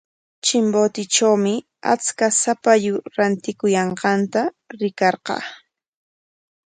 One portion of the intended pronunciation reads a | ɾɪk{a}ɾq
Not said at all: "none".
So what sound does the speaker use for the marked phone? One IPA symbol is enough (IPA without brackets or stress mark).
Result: ɑ